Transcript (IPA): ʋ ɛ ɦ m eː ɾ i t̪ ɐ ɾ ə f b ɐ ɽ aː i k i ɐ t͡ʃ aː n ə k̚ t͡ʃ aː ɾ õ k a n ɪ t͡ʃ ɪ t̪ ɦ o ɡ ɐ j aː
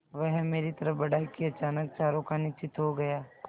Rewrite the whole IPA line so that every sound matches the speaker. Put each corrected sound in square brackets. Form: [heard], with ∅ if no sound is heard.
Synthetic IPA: ʋ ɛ ɦ m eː ɾ i t̪ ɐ ɾ ə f b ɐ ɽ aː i k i ɐ t͡ʃ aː n ə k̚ t͡ʃ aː ɾ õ k a n ɪ t͡ʃ ɪ t̪ ɦ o ɡ ɐ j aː